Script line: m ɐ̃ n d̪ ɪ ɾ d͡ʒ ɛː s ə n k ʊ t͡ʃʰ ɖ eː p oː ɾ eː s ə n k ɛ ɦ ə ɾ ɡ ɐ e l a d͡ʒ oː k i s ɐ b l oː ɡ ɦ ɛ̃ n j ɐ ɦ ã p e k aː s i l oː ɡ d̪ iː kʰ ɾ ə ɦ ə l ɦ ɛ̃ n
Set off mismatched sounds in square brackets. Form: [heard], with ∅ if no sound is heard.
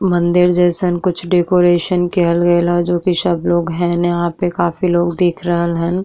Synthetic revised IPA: m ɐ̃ n d̪ ɪ ɾ d͡ʒ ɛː s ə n k ʊ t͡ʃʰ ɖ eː [k] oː ɾ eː [ʃ] ə n k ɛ ɦ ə [l] ɡ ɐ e l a d͡ʒ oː k i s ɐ b l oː ɡ ɦ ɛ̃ n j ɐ ɦ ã p e k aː [f] i l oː ɡ d̪ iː kʰ ɾ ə ɦ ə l ɦ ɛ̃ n